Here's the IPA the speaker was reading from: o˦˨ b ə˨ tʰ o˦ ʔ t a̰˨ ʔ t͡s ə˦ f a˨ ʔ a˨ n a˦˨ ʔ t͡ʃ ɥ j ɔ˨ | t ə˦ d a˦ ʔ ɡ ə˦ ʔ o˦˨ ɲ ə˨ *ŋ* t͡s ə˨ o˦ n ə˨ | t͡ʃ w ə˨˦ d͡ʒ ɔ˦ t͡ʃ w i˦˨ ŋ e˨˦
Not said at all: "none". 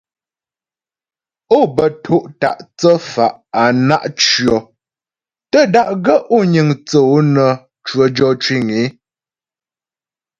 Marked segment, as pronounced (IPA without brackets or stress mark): ŋ